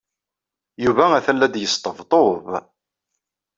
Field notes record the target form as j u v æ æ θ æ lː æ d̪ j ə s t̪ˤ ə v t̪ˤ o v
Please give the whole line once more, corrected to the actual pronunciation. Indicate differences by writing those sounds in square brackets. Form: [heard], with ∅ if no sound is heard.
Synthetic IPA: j u v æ æ θ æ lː æ d̪ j ə s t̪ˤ ə v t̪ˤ o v